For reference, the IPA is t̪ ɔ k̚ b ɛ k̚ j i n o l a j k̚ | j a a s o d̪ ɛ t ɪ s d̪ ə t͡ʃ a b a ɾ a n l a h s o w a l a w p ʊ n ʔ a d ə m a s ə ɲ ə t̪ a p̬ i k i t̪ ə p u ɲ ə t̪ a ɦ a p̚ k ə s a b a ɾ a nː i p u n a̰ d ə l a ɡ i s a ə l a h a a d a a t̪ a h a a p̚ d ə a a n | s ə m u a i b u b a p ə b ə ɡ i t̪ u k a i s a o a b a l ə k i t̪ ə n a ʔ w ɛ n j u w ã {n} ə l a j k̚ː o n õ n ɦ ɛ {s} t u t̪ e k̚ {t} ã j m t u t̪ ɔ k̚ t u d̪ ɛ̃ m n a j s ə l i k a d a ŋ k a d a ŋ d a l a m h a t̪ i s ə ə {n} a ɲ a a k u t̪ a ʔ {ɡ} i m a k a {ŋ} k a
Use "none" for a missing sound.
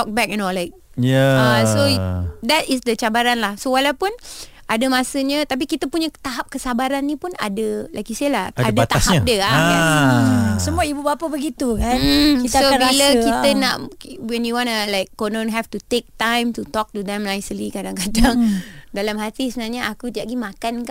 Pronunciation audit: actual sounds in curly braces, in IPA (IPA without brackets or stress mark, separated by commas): n, f, t, n, ɡ, n